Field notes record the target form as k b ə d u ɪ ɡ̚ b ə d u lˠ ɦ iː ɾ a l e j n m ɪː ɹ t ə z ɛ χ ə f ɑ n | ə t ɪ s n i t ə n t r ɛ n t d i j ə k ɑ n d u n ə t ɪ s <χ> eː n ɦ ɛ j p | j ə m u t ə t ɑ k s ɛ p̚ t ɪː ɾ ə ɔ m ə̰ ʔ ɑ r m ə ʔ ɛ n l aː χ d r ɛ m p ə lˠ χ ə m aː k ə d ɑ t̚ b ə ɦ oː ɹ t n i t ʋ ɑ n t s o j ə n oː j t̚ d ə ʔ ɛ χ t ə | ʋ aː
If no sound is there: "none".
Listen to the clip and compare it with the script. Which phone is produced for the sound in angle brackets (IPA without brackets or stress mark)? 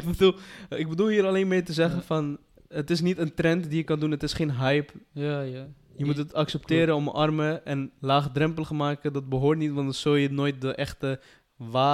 χ